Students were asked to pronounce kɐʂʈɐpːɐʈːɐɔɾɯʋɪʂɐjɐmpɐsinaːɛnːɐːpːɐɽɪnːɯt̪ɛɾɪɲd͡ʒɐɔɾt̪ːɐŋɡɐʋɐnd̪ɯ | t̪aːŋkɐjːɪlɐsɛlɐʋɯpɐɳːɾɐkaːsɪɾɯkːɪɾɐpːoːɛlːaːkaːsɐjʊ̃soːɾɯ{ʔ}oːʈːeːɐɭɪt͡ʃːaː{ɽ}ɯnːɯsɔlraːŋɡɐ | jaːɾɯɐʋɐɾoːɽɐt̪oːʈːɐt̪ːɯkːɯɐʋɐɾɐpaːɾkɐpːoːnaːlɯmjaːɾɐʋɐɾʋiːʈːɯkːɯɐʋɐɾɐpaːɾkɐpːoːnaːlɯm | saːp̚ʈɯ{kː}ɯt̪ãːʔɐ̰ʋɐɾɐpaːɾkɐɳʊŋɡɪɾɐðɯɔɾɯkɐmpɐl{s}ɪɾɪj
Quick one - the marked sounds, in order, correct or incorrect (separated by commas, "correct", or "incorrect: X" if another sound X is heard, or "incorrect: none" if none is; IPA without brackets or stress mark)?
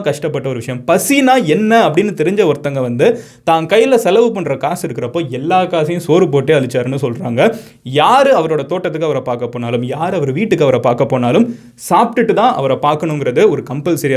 incorrect: p, incorrect: ɾ, incorrect: ʈː, correct